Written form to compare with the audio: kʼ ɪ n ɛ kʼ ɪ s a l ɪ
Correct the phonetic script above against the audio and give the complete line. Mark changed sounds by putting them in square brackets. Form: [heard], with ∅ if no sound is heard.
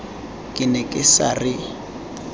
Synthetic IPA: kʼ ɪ n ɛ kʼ ɪ s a [r] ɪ